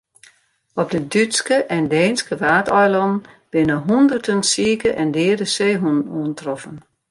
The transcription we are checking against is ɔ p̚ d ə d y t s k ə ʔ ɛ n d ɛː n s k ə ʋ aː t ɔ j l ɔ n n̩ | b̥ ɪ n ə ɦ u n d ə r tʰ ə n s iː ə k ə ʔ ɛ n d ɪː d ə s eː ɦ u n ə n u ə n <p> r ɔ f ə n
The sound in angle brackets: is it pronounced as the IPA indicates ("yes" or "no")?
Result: no